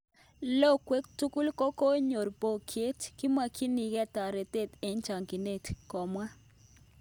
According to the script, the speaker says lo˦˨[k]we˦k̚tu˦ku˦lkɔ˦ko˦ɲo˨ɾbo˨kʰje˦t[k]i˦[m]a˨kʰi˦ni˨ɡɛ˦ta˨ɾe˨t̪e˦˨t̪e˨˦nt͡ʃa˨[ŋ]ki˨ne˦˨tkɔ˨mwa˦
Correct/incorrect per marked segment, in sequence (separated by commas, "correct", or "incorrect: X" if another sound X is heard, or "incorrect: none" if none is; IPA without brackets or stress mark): correct, correct, correct, correct